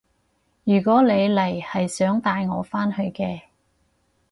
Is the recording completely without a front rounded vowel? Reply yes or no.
no